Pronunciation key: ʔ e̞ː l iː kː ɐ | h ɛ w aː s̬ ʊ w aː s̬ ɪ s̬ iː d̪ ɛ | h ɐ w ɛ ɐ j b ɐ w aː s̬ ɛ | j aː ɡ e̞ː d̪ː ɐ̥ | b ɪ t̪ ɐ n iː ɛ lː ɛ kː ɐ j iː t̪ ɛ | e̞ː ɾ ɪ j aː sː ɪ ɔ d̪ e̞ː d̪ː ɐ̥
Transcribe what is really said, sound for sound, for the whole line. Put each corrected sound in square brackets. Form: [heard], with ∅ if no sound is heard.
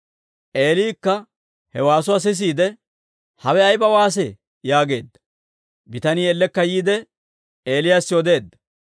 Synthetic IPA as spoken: ʔ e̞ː l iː kː ɐ | h ɛ w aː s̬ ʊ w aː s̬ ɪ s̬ iː d̪ ɛ | h ɐ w ɛ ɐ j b ɐ w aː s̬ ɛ | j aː ɡ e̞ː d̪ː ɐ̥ | b ɪ t̪ ɐ n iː ɛ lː ɛ kː ɐ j iː [d̪] ɛ | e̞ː [l] ɪ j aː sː ɪ ɔ d̪ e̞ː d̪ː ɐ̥